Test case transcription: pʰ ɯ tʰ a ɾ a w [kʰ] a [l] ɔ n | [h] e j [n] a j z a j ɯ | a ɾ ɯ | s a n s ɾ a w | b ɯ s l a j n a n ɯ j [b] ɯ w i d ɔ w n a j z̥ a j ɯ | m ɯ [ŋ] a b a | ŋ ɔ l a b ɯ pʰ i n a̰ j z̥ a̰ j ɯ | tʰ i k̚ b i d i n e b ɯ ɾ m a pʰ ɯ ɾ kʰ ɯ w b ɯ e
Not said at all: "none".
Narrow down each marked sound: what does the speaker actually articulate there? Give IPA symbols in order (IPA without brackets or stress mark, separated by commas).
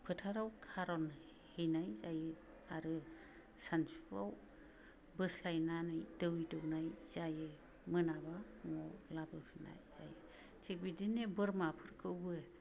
kʰ, ɾ, h, n, d, n